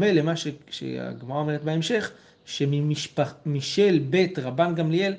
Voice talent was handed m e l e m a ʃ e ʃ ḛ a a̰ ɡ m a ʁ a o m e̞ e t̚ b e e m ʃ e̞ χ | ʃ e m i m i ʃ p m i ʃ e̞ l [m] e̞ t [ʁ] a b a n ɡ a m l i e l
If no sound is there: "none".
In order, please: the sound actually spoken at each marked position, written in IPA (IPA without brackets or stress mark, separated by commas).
b, ʁ